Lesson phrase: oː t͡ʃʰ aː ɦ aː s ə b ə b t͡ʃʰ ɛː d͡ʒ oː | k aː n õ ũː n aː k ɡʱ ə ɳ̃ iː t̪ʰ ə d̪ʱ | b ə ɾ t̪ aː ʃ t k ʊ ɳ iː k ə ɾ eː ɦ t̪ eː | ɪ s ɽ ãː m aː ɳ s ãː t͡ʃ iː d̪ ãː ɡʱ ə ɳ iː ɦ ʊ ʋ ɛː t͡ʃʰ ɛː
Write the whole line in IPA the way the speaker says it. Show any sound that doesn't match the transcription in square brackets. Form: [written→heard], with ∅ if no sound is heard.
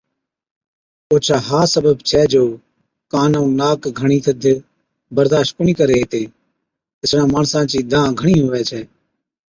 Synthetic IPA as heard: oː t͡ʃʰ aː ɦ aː s ə b ə b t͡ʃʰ ɛː d͡ʒ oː | k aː n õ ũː n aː k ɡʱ ə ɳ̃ iː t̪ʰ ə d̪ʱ | b ə ɾ [t̪→d̪] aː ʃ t k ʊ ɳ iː k ə ɾ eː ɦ t̪ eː | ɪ s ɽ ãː m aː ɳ s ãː t͡ʃ iː d̪ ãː ɡʱ ə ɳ iː ɦ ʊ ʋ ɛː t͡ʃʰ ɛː